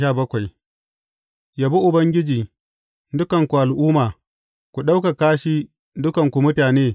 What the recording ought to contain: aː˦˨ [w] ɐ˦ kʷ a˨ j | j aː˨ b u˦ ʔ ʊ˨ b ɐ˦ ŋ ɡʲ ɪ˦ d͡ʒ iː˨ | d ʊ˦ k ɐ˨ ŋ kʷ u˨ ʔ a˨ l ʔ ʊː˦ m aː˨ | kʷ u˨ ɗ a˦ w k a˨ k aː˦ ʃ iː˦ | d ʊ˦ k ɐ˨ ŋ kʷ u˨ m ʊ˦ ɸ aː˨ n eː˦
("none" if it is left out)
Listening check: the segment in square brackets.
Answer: b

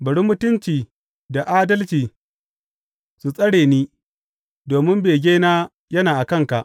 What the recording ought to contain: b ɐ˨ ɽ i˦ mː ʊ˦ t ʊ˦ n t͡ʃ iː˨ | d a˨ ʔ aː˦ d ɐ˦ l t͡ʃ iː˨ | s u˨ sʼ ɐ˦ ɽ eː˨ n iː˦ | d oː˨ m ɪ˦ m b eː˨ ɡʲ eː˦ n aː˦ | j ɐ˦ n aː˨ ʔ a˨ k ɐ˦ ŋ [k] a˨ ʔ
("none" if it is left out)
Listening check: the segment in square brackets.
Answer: k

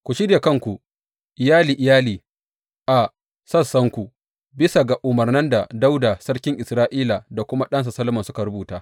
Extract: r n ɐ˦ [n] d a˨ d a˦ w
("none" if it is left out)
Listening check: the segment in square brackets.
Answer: n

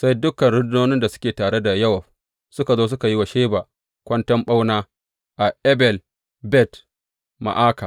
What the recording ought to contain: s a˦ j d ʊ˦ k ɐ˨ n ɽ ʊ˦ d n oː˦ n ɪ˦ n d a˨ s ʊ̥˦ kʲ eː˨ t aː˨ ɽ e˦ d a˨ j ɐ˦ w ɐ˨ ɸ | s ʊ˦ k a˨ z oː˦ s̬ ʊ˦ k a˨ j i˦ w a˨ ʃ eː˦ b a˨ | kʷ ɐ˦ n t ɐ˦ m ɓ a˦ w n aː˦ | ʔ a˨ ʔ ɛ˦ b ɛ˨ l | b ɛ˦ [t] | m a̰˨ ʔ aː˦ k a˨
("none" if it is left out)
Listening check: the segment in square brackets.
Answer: t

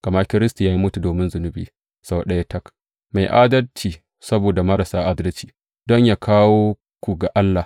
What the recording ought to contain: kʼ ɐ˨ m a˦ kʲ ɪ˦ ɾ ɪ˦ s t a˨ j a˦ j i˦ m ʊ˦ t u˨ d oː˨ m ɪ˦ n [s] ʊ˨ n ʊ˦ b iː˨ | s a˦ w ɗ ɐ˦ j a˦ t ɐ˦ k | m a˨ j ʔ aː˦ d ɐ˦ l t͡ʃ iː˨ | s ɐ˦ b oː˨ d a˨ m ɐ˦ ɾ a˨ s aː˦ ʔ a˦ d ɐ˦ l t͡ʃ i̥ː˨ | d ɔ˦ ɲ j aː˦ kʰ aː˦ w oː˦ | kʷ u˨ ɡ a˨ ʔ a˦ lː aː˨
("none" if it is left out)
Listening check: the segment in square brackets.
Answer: z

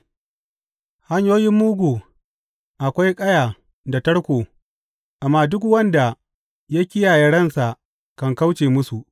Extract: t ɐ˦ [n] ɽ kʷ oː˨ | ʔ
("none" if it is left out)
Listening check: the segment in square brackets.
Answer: none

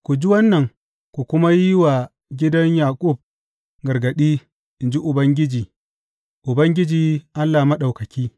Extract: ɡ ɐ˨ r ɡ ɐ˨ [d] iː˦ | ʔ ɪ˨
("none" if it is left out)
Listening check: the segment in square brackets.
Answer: ɗ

